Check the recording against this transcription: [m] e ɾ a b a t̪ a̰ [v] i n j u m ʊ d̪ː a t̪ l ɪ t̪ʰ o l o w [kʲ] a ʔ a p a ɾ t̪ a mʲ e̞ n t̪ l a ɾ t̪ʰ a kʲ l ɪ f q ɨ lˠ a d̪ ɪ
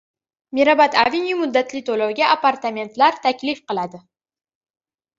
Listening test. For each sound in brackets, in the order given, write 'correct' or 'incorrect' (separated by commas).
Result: correct, correct, incorrect